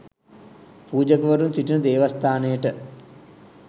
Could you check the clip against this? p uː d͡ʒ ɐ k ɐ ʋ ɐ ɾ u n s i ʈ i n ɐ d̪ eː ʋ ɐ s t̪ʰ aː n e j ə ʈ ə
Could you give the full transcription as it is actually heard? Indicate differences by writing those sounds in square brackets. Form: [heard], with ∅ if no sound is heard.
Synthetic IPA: p uː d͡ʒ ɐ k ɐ ʋ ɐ ɾ u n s i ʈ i n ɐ d̪ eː ʋ ɐ s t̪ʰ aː n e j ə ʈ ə